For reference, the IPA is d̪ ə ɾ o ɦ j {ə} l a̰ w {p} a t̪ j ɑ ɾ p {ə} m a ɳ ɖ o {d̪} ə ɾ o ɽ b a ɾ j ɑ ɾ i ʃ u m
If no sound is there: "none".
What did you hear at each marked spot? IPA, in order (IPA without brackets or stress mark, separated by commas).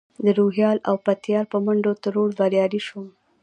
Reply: ɑ, p, ə, t̪